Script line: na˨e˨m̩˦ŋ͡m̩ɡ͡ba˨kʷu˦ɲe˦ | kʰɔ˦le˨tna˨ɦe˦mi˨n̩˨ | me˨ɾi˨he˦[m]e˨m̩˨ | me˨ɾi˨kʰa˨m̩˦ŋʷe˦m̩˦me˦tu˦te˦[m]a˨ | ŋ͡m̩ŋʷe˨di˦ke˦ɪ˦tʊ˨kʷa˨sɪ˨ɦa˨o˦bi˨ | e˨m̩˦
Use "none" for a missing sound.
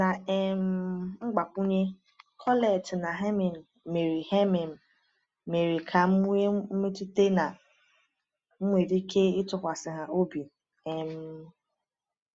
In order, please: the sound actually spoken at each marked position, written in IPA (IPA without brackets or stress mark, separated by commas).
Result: m, n